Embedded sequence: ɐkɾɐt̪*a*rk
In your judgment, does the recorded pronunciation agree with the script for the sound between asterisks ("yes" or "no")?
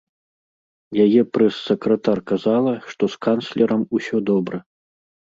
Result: yes